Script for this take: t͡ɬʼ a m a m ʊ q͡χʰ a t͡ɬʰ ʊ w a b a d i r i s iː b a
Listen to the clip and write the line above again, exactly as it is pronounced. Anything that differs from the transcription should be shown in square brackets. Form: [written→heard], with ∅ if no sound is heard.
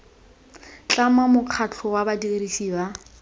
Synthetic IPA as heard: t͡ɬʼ a m a m ʊ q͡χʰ a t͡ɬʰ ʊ w a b a d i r i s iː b a